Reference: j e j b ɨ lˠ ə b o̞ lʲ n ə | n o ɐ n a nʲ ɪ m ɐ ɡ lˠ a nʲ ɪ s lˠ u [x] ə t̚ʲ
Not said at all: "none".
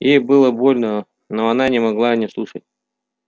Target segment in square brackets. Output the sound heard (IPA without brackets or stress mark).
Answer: ʂ